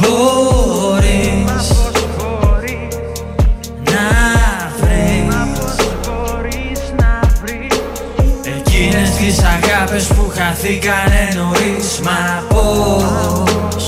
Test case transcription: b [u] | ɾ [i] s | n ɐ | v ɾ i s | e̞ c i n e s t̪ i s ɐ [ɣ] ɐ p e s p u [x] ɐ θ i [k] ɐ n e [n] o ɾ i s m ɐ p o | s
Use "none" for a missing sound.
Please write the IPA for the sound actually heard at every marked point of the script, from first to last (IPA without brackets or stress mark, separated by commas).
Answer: o, i, ɣ, x, k, n